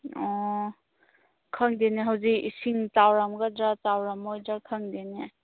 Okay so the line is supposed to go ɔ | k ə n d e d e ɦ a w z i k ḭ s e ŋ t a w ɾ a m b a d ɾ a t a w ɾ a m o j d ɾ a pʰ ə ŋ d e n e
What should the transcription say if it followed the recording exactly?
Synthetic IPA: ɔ | kʰ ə ŋ d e n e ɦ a w z i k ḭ s i ŋ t a w ɾ a m ɡ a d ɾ a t a w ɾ a m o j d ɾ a kʰ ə ŋ d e n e

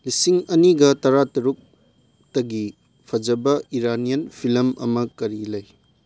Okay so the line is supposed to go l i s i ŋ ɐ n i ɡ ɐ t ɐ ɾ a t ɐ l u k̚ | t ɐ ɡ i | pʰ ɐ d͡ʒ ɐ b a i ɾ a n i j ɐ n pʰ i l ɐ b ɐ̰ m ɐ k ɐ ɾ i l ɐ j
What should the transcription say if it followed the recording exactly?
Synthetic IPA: l i s i ŋ ɐ n i ɡ ɐ t ɐ ɾ a t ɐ ɾ u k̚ | t ɐ ɡ i | pʰ ɐ d͡ʒ ɐ b ɐ i ɾ a n i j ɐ n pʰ i l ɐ m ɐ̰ m ɐ k ɐ ɾ i l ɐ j

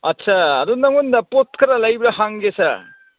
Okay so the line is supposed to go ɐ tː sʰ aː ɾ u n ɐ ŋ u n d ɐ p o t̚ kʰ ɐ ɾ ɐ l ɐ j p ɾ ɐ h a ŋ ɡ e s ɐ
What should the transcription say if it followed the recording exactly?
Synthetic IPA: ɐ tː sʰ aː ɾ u n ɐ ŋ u n d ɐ p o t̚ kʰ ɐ ɾ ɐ l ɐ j b ɾ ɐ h a ŋ ɡ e s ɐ

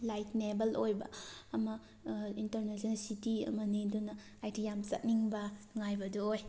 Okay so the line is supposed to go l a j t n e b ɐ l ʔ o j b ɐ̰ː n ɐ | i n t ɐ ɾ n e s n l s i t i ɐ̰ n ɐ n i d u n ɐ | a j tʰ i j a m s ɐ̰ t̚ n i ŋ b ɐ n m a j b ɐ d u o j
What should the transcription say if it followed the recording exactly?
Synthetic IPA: l a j t n e b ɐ l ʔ o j b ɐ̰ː m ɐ | i n t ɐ ɾ n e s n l s i t i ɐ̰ m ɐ n i d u n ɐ | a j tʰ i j a m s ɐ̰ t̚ n i ŋ b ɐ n ŋ a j b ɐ d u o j

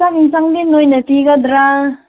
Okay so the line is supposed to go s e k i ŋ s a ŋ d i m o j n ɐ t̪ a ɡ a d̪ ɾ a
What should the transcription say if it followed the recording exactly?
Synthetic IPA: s a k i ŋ s a ŋ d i n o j n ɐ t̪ i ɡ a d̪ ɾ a

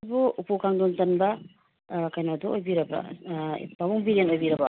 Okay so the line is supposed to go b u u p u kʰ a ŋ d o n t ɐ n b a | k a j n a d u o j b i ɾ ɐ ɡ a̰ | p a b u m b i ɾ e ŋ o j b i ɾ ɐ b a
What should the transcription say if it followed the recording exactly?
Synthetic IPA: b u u p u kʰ a ŋ d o n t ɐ n b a | k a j n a d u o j b i ɾ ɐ b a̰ | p a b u ŋ b i ɾ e n o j b i ɾ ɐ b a

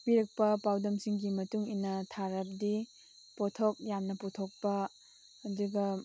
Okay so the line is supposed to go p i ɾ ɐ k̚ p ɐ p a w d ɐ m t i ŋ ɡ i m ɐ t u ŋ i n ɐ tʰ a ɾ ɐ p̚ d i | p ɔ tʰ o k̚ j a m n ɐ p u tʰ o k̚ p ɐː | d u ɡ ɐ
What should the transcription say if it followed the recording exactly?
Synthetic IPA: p i ɾ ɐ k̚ p ɐ p a w d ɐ m s i ŋ ɡ i m ɐ t u ŋ i n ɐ tʰ a ɾ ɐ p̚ d i | p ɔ tʰ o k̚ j a m n ɐ p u tʰ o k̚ p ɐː | d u ɡ ɐ

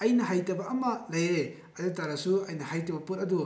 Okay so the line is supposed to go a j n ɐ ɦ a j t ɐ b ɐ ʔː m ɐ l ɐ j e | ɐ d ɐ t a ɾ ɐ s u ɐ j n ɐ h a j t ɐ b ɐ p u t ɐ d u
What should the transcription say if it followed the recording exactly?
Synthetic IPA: ɐ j n ɐ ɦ a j t ɐ b ɐ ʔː m ɐ l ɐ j e | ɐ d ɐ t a ɾ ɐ s u ɐ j n ɐ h a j t ɐ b ɐ p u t ɐ d u

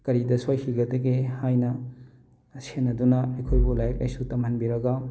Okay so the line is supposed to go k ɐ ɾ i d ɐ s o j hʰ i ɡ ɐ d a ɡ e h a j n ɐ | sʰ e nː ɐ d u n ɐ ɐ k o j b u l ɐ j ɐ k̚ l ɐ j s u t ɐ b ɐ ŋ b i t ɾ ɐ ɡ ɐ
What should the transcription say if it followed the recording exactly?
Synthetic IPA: k ɐ ɾ i d ɐ s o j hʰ i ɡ ɐ d ɐ ɡ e h a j n ɐ | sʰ e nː ɐ d u n ɐ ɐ kʰ o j b u l a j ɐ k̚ l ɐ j s u t ɐ m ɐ n b i ɾ ɐ ɡ ɐ

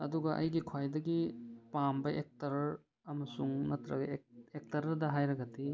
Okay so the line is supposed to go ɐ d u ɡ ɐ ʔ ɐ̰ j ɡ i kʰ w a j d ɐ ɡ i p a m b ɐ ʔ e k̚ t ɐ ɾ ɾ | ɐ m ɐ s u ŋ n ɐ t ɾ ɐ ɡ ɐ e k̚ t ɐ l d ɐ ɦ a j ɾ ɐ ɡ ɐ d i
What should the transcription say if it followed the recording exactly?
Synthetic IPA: ɐ d u ɡ ɐ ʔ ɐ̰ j ɡ i kʰ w a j d ɐ ɡ i p a m b ɐ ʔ e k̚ t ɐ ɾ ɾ | ɐ m ɐ s u ŋ n ɐ t ɾ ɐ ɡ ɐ e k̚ t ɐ ɾ d ɐ ɦ a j ɾ ɐ ɡ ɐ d i

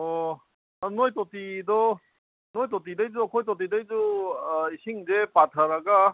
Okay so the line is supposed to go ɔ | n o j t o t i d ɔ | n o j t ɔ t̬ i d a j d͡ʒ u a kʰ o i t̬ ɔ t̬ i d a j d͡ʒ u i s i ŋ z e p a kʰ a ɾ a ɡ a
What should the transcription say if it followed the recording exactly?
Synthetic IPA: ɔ | n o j t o t i d ɔ | n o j t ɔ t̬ i d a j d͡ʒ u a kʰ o j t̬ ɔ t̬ i d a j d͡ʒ u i s i ŋ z e p a tʰ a ɾ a ɡ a

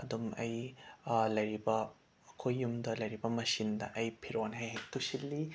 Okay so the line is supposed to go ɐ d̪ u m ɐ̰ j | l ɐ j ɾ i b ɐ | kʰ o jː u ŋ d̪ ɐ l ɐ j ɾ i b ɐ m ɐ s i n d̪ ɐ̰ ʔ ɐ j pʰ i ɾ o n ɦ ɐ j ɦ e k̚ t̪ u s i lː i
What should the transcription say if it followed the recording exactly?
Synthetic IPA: ɐ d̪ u m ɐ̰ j | l ɐ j ɾ i b ɐ | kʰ o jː u m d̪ ɐ l ɐ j ɾ i b ɐ m ɐ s i n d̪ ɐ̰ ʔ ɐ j pʰ i ɾ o n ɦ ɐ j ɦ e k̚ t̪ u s i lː i

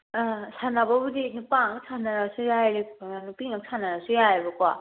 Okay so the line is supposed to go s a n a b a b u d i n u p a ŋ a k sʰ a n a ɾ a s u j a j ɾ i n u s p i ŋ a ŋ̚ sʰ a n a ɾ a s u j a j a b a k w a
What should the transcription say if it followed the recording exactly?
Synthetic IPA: s a n a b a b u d i n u p a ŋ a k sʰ a n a ɾ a s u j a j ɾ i n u p i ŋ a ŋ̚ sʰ a n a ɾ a s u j a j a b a k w a

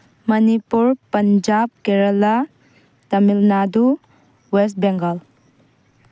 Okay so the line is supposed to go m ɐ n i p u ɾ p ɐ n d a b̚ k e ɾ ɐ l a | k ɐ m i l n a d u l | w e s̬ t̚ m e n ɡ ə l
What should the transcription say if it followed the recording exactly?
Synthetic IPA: m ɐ n i p u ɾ p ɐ n d͡ʒ a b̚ k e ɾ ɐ l a | t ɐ m i l n a d u | w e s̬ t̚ b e ŋ ɡ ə l

